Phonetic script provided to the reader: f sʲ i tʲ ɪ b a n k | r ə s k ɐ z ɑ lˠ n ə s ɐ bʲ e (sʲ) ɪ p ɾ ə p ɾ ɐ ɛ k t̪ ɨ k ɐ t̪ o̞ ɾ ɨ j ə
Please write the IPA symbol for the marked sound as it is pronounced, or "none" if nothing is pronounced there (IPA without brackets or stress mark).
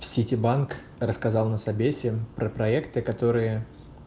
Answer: sʲ